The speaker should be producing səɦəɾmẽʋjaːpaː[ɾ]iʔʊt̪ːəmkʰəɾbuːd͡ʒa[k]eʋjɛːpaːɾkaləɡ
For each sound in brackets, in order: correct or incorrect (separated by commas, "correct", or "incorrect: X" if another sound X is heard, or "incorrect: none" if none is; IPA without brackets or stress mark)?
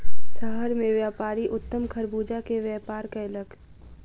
correct, correct